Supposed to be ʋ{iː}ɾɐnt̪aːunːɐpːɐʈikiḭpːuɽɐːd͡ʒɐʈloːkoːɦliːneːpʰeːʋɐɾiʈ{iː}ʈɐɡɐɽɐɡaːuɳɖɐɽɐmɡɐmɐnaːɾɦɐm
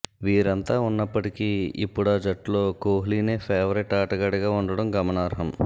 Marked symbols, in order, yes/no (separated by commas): yes, no